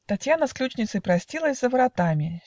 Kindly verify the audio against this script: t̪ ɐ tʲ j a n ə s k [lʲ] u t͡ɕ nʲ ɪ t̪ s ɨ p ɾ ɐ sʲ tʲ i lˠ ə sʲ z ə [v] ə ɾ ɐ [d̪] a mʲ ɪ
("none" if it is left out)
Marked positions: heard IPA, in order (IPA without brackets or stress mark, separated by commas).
lʲ, v, t̪